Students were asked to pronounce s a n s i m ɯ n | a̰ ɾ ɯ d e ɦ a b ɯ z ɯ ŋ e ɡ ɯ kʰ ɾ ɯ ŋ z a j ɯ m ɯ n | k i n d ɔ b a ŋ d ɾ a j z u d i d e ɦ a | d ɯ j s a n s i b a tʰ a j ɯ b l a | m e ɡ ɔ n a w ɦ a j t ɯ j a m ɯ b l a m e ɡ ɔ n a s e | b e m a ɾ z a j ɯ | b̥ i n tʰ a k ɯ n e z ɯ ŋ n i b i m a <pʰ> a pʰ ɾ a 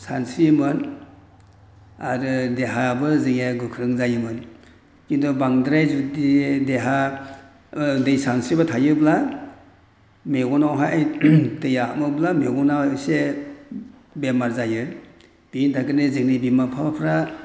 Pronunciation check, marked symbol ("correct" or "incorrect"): correct